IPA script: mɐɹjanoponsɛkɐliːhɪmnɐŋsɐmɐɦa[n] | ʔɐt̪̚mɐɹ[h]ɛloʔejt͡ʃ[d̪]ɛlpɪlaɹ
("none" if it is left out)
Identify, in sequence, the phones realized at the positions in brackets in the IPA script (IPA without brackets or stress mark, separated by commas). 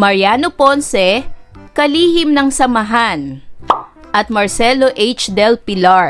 n, s, d̪